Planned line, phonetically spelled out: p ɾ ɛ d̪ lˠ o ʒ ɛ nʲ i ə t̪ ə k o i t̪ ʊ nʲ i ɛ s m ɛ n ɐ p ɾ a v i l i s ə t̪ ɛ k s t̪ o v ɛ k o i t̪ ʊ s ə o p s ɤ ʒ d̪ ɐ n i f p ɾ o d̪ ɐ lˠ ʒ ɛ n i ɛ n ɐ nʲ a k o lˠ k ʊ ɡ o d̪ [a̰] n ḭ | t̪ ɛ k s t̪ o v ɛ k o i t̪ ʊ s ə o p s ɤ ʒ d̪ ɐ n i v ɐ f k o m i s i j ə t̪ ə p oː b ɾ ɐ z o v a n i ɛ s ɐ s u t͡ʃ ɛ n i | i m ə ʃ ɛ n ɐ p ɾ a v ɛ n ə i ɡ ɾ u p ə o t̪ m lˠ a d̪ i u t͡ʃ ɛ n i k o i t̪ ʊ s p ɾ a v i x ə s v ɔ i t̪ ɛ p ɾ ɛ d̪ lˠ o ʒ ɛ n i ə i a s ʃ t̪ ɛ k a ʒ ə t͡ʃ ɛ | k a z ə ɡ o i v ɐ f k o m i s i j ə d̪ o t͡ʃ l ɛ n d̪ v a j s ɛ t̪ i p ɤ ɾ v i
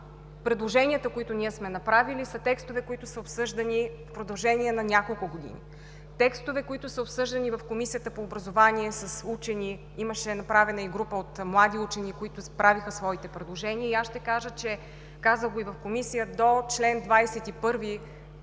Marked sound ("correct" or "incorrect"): incorrect